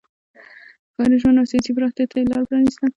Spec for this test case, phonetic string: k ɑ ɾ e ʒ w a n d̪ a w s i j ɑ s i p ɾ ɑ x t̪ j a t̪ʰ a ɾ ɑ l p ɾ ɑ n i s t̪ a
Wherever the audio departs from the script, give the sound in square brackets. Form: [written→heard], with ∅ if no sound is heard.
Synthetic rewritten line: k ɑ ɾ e ʒ w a n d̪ a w s i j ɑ s i p ɾ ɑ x t̪ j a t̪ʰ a [ɾ→l] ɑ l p ɾ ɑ n i s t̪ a